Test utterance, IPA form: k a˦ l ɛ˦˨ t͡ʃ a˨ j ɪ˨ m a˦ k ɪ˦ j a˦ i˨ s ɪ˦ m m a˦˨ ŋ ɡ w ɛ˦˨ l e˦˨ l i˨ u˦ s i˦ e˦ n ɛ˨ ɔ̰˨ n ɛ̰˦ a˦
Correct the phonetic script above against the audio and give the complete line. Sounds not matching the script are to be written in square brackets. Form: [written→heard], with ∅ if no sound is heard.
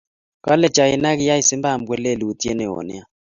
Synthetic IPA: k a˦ l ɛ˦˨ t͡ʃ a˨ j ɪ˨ [m→n] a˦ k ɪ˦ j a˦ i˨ s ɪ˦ m [m→b] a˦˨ [ŋ→m] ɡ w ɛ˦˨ l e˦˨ l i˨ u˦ [s→t] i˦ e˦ n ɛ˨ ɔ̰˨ n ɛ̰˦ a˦